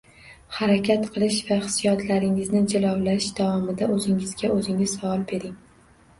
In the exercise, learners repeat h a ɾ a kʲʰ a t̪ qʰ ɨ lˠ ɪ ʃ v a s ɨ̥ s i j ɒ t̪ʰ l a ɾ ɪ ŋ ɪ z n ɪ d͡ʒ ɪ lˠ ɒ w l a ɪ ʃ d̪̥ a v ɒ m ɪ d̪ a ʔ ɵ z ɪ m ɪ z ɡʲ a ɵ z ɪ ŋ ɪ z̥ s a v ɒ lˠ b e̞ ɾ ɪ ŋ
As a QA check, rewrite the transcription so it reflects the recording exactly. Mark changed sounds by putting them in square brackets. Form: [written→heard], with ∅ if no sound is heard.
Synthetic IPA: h a ɾ a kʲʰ a t̪ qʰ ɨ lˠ ɪ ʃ v a [s→χ] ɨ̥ s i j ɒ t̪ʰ l a ɾ ɪ ŋ ɪ z n ɪ d͡ʒ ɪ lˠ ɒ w l a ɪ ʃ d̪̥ a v ɒ m ɪ d̪ a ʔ ɵ z ɪ [m→ŋ] ɪ z ɡʲ a ɵ z ɪ ŋ ɪ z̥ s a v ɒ lˠ b e̞ ɾ ɪ ŋ